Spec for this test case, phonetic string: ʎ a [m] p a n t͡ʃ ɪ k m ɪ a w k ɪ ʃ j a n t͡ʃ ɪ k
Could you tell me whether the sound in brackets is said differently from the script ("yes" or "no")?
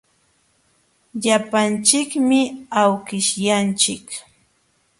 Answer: yes